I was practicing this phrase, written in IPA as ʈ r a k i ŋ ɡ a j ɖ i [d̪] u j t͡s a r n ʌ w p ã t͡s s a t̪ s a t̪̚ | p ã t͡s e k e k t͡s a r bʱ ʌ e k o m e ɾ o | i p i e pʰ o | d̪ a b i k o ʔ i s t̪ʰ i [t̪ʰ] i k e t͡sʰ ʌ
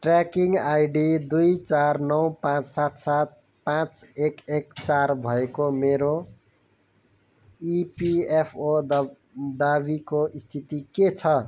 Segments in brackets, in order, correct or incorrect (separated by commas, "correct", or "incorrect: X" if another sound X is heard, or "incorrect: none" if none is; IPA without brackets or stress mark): correct, incorrect: t̪